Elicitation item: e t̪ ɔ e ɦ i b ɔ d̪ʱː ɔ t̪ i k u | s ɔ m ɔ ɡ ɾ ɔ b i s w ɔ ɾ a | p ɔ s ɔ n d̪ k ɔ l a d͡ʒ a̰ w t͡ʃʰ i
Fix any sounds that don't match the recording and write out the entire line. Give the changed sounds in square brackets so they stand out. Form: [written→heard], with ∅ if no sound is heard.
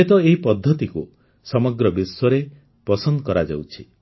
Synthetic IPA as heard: e t̪ ɔ e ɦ i [b→p] ɔ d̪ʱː ɔ t̪ i k u | s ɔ m ɔ ɡ ɾ ɔ b i s w ɔ ɾ [a→e] | p ɔ s ɔ n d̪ k ɔ [l→ɾ] a d͡ʒ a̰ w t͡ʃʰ i